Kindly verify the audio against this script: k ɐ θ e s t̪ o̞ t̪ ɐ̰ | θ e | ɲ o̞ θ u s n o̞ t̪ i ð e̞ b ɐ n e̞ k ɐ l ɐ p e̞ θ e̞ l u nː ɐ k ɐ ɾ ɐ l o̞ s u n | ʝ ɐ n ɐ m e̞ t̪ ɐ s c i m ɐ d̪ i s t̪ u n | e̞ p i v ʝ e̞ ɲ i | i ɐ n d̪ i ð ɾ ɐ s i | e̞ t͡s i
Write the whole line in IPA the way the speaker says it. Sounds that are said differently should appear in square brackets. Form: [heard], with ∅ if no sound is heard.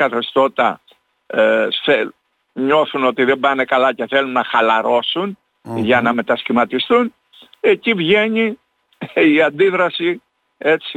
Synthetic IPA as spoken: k ɐ θ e s t̪ o̞ t̪ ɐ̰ | θ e | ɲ o̞ θ u [∅] n o̞ t̪ i ð e̞ b ɐ n e̞ k ɐ l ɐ [c] e̞ θ e̞ l u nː ɐ [x] ɐ [l] ɐ [ɾ] o̞ s u n | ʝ ɐ n ɐ m e̞ t̪ ɐ s c i m ɐ [t̪] i s t̪ u n | e̞ [c] i v ʝ e̞ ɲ i | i ɐ n d̪ i ð ɾ ɐ s i | e̞ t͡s i